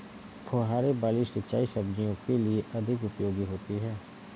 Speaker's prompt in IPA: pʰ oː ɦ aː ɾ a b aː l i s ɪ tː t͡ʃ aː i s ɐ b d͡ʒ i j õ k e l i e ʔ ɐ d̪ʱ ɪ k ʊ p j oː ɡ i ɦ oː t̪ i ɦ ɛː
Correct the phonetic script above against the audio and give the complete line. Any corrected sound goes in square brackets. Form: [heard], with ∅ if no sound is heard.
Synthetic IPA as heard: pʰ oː ɦ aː ɾ [e] b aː l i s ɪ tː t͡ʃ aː i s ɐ b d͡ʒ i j õ k e l i e ʔ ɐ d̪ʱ ɪ k ʊ p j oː ɡ i ɦ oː t̪ i ɦ ɛː